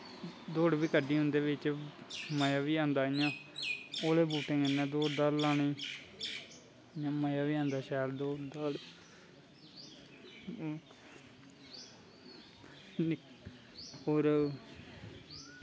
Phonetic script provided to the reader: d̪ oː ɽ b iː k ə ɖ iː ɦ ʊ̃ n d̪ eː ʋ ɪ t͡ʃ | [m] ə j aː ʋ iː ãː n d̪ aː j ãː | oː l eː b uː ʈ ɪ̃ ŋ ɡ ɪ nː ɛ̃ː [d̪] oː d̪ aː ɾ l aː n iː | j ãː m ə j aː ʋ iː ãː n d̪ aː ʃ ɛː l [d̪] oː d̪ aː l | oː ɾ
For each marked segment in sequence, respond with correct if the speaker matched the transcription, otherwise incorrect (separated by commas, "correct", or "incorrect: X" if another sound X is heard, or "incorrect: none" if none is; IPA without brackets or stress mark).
correct, correct, correct